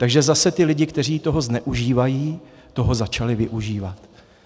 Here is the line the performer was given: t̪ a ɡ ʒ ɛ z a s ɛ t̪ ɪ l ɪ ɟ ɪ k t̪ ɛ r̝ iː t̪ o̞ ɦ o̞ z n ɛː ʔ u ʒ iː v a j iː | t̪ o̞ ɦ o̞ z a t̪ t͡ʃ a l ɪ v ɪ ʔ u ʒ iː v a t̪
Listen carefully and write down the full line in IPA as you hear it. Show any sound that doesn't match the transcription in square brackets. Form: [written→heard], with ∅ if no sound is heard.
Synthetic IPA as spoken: t̪ a ɡ ʒ ɛ z a s ɛ t̪ ɪ l ɪ ɟ ɪ k t̪ ɛ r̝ iː t̪ o̞ ɦ o̞ z n [ɛː→ɛ] ʔ u ʒ iː v a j iː | t̪ o̞ ɦ o̞ z a [t̪→∅] t͡ʃ a l ɪ v ɪ ʔ u ʒ iː v a t̪